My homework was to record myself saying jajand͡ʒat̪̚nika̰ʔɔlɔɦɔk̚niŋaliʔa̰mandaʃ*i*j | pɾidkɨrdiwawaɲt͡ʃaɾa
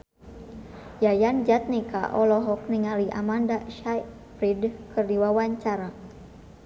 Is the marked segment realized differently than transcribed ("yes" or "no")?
yes